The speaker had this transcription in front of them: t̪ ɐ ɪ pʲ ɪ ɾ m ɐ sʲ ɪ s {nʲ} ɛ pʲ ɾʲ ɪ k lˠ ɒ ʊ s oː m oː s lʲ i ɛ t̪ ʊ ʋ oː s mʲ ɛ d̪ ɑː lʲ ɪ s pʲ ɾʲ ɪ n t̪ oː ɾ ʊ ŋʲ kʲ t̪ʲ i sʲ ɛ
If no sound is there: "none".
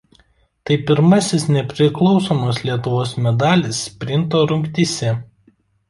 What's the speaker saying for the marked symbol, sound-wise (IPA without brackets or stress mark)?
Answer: nʲ